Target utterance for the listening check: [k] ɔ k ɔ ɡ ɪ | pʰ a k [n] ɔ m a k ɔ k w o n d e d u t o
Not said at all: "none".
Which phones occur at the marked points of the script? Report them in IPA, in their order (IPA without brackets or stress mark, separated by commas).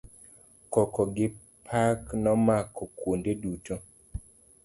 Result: k, n